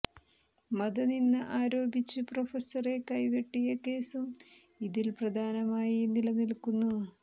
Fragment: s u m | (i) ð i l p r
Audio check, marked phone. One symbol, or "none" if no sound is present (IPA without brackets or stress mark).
i